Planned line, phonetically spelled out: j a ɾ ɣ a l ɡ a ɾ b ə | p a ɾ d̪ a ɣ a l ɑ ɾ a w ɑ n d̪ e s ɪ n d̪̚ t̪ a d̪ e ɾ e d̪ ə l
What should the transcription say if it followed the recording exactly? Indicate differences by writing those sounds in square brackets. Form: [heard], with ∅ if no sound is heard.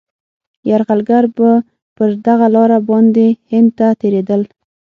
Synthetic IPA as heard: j a ɾ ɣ a l ɡ a ɾ b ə | p [ə] ɾ d̪ a ɣ a l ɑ ɾ a [b] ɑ n d̪ e [h] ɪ n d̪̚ t̪ a [t̪] e ɾ e d̪ ə l